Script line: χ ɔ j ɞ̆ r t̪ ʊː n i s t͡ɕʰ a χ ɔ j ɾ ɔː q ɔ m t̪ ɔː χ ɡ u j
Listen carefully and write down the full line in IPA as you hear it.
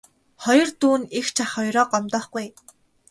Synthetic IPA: χ ɔ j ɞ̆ r t̪ uː n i x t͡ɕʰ a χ ɔ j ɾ ɔː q ɔ m t̪ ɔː χ ɡ u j

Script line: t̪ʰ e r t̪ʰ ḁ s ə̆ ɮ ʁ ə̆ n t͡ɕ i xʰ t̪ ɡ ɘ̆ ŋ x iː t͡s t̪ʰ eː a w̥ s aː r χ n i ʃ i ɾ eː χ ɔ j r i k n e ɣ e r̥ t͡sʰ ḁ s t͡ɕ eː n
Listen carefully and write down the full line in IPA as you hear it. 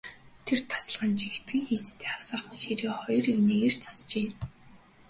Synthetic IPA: t̪ʰ e r t̪ʰ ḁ s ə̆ ɮ ʁ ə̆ n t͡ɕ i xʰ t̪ ɡ ɘ̆ ŋ x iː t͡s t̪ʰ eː a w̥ s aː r χ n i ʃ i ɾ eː χ ɔ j r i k n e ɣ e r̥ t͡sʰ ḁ s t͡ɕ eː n

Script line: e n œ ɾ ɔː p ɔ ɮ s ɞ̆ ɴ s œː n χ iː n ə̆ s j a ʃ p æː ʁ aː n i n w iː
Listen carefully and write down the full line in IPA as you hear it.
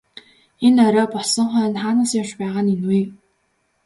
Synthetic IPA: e n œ ɾ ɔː p ɔ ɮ s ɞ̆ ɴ χ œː n χ aː n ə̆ s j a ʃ p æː ʁ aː n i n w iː

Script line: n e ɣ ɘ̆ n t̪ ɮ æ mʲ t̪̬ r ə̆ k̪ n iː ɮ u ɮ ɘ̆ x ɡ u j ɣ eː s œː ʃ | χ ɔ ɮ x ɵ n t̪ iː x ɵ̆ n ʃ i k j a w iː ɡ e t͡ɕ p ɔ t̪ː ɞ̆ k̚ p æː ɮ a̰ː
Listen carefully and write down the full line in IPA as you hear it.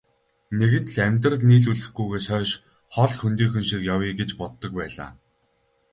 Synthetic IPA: n e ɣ ɘ̆ n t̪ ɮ æ mʲ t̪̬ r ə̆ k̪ n iː ɮ u ɮ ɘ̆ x ɡ u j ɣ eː s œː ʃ | χ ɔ ɮ x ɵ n t̪ iː x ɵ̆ n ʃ i k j a w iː ɡ e t͡ɕ p ɔ t̪ː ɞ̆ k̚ p æː ɮ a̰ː

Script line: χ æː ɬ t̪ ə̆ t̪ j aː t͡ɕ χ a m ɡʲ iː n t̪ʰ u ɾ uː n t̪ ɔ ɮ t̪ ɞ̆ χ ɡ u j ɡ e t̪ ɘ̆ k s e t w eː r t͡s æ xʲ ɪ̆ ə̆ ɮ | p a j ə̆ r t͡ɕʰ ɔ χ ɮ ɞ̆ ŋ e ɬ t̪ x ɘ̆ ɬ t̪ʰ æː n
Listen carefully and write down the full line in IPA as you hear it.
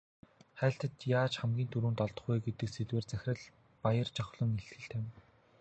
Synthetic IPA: χ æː ɬ t̪ ə̆ t̪ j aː t͡ɕ χ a m ɡʲ iː n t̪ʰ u ɾ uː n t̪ ɔ ɮ t̪ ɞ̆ χ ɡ u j ɡ e t̪ ɘ̆ k s e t w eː r t͡s æ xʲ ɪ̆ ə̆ ɮ | p a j ə̆ r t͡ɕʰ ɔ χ ɮ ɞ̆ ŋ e ɬ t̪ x ɘ̆ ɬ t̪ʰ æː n

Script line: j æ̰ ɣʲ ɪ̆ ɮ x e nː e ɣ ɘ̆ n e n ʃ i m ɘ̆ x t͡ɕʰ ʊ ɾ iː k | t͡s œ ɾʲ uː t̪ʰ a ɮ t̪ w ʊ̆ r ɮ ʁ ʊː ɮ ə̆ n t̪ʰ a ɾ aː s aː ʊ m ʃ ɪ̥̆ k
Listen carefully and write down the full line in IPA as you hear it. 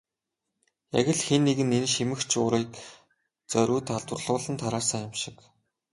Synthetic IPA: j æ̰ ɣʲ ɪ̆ ɮ x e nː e ɣ ɘ̆ n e n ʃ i m ɘ̆ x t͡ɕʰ ʊ ɾ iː k | t͡s œ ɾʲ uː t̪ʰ a ɮ t̪ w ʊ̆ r ɮ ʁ ʊː ɮ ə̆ n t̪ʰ a ɾ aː s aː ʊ m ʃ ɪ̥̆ k

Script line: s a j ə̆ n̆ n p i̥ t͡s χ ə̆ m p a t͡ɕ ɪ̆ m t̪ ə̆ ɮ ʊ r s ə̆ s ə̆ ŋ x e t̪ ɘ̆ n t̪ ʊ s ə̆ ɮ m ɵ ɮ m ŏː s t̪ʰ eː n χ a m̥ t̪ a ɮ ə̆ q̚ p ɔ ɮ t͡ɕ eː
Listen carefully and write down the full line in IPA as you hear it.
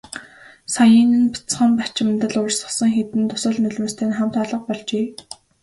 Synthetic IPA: s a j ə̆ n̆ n p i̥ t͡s χ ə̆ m p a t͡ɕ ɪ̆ m t̪ ə̆ ɮ ʊ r s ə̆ s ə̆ ŋ x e t̪ ɘ̆ n t̪ ʊ s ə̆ ɮ n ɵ ɮ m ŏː s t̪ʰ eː n χ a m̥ t̪ a ɮ ə̆ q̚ p ɔ ɮ t͡ɕ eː

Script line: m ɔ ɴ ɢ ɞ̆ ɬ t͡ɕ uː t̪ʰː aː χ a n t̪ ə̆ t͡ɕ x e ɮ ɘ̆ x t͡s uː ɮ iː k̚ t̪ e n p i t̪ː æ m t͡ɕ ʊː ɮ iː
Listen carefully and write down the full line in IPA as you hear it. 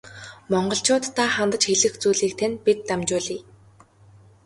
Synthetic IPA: m ɔ ɴ ɢ ɞ̆ ɬ t͡ɕ ʊː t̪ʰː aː χ a n t̪ ə̆ t͡ɕ x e ɮ ɘ̆ x t͡s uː ɮ iː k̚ t̪ʰ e n p i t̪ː a m t͡ɕ ʊː ɮ iː

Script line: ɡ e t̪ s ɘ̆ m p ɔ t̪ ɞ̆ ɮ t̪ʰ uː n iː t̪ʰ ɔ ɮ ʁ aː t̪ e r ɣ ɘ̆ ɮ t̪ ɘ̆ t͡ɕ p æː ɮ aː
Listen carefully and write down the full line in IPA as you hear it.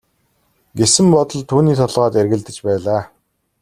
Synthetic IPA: ɡ e s ɘ̆ m p ɔ t̪ ɞ̆ ɮ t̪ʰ uː n iː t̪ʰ ɔ ɮ ʁ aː t̪ e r ɣ ɘ̆ ɮ t̪ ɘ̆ t͡ɕ p æː ɮ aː

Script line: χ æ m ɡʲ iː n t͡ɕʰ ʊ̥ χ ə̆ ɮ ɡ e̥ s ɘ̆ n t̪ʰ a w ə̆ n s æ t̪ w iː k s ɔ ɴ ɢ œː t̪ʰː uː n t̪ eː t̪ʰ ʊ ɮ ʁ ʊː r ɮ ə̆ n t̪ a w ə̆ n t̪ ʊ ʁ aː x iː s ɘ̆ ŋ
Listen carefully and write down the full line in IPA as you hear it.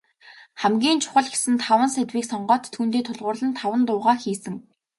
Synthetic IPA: χ æ m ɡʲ iː n t͡ɕʰ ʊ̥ χ ə̆ ɮ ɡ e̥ s ɘ̆ n t̪ʰ a w ə̆ n s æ t̪ w iː k s ɔ ɴ ɢ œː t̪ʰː uː n t̪ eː t̪ʰ ʊ ɮ ʁ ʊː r ɮ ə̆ n t̪ʰ a w ə̆ n t̪ ʊː ʁ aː x iː s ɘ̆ ŋ

